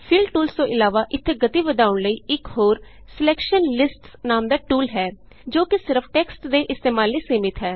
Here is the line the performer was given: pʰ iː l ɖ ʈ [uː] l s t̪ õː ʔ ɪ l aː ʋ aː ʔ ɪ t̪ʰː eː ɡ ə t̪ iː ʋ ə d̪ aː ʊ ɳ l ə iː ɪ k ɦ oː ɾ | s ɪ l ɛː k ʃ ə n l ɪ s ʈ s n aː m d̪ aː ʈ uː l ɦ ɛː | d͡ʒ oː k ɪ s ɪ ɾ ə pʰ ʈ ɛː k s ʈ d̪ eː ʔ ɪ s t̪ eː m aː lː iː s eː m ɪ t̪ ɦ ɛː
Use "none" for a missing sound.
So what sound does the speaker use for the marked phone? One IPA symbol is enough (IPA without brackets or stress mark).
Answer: uː